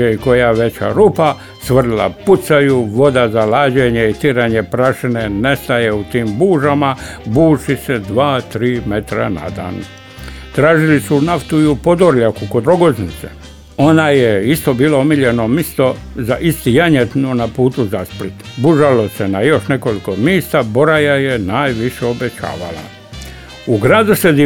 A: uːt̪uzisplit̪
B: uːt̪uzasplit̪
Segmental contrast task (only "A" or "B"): B